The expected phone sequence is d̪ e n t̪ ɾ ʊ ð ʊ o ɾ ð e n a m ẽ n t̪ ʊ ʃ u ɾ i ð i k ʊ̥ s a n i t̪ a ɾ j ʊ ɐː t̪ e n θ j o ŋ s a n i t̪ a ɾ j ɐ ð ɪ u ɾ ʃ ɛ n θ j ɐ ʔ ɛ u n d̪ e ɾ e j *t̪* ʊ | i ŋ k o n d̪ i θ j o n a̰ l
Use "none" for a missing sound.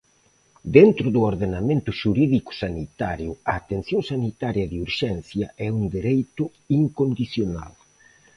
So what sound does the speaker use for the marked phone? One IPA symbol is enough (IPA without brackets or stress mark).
t̪